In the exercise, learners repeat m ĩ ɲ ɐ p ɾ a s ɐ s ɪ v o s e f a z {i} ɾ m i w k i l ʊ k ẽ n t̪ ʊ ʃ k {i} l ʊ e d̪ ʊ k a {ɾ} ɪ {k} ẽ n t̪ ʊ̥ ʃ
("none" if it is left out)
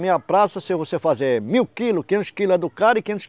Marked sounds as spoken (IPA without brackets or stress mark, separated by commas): e, i, ɾ, k